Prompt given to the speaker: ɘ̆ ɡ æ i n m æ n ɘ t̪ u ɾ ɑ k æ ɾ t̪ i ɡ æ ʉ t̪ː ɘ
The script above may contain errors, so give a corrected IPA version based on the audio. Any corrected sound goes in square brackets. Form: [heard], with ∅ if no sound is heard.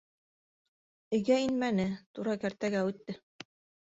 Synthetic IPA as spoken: ɘ̆ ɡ æ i n m æ n ɘ t̪ u ɾ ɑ k æ ɾ t̪ [æ] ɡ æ ʉ t̪ː ɘ